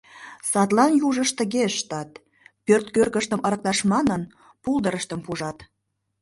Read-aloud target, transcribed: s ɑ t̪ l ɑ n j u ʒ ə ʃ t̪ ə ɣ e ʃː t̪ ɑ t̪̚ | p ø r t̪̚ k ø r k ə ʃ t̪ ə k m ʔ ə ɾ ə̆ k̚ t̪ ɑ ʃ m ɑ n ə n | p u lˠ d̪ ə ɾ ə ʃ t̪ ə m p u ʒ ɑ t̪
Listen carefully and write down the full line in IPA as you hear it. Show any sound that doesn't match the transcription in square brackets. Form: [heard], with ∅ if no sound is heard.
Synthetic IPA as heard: s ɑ t̪ l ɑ n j u ʒ ə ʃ t̪ ə ɣ e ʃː t̪ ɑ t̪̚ | p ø r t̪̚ k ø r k ə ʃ t̪ ə [∅] m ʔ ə ɾ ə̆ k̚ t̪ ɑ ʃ m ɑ n ə n | p u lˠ d̪ ə ɾ ə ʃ t̪ ə m p u ʒ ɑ t̪